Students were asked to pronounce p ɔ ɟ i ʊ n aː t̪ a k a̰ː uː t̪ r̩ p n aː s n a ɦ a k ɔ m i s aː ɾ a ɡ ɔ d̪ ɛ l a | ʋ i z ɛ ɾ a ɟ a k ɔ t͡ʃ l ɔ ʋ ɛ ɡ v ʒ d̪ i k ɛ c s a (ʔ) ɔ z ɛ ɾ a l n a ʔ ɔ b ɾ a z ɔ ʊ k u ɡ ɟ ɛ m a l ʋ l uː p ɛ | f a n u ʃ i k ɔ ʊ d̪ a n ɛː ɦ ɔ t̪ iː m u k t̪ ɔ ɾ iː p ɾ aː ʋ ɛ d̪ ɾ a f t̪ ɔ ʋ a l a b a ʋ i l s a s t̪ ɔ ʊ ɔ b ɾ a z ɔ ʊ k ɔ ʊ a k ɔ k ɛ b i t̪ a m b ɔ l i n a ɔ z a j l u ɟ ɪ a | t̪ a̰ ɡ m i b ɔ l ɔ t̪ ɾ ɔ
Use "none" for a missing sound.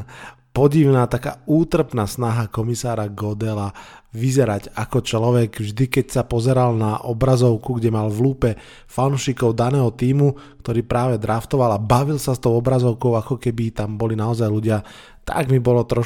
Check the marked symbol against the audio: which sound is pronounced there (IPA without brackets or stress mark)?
p